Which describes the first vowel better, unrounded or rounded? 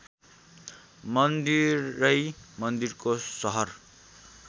unrounded